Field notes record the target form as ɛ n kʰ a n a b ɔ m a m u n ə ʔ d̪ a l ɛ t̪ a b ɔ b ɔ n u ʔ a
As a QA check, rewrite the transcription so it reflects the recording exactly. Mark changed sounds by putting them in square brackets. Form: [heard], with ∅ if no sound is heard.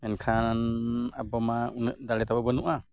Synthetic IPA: ɛ n kʰ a n a b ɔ m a [∅] u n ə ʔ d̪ a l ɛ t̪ a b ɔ b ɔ n u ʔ a

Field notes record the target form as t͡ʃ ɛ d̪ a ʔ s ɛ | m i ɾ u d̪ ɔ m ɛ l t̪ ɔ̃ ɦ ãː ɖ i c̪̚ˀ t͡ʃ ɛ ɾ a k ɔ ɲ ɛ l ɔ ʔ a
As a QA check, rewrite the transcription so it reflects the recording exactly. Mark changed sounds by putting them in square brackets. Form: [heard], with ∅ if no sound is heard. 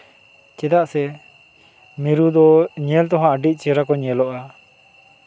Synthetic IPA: t͡ʃ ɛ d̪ a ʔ s ɛ | m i ɾ u d̪ ɔ [ɲ] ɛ l t̪ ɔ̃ ɦ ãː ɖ i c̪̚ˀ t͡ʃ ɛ ɾ a k ɔ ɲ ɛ l ɔ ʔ a

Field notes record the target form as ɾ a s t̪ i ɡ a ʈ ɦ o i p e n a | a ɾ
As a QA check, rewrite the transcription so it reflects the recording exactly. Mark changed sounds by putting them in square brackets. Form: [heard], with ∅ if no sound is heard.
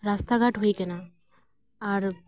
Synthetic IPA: ɾ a s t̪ [a] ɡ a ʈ ɦ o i [k] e n a | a ɾ

